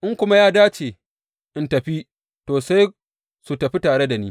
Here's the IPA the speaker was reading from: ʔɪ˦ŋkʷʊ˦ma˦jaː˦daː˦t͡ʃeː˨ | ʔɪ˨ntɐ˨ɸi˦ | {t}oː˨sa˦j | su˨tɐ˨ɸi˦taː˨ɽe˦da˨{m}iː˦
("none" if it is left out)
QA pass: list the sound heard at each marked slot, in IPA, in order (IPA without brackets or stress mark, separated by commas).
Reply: t, n